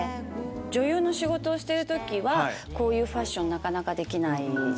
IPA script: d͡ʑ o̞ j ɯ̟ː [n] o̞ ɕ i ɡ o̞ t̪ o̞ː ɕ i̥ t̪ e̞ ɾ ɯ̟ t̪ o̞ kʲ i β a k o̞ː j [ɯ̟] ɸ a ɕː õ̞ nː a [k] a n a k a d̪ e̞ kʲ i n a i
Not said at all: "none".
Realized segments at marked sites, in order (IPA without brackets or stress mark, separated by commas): n, ɯ̟ː, k